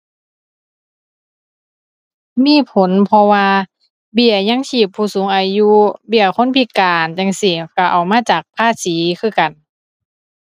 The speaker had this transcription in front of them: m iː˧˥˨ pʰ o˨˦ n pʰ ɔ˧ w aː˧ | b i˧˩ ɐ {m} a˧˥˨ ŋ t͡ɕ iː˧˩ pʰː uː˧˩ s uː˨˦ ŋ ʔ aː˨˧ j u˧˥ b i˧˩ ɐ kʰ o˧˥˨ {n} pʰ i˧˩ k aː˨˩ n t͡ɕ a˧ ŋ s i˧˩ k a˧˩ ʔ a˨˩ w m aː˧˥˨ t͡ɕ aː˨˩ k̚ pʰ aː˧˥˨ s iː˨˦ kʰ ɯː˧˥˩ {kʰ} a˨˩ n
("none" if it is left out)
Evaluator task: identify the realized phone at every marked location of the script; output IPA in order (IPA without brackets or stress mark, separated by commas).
ɲ, n, k